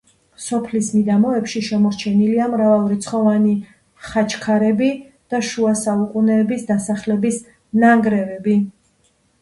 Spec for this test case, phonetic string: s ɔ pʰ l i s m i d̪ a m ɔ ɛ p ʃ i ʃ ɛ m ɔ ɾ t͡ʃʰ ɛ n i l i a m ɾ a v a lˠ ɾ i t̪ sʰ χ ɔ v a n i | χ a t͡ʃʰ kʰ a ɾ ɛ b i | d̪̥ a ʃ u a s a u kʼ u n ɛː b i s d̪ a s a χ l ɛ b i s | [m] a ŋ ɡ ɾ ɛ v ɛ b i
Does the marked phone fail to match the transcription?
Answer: yes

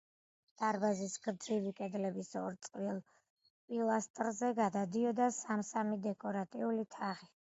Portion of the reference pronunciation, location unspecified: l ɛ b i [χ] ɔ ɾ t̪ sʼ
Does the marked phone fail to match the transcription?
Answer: yes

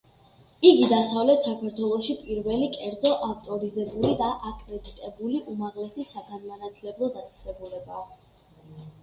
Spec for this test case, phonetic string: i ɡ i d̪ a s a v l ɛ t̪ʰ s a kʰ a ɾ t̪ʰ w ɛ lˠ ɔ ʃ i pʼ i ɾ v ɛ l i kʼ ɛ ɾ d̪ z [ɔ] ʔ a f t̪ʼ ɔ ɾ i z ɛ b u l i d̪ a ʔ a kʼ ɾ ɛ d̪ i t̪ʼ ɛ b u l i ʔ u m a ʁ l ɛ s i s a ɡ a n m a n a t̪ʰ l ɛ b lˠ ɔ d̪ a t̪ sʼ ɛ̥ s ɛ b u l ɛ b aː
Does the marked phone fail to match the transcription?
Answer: no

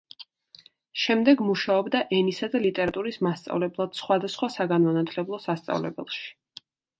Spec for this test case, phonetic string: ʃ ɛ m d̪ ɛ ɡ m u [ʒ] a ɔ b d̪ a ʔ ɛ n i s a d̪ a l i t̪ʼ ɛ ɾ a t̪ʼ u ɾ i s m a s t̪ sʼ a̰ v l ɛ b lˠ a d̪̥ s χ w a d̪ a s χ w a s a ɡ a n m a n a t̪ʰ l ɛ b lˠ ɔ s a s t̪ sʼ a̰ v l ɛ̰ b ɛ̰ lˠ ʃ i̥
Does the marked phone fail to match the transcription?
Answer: yes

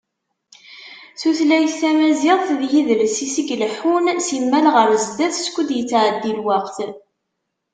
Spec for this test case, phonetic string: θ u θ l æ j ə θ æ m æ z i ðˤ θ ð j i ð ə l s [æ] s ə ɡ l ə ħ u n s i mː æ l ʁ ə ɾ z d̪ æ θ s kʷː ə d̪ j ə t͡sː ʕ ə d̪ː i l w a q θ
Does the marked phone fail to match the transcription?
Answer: yes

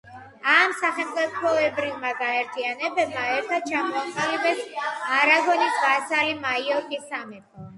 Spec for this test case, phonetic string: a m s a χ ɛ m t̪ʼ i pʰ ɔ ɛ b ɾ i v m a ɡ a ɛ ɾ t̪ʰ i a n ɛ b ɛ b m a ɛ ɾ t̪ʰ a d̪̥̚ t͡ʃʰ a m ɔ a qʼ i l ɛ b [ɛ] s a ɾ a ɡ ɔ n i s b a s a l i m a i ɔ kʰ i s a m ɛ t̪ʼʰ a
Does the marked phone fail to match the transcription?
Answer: no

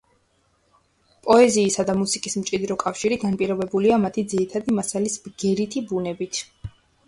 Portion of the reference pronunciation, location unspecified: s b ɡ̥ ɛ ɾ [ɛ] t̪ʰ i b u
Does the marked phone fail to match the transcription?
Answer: yes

